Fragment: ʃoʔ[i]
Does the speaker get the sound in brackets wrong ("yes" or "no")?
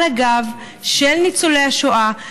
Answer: yes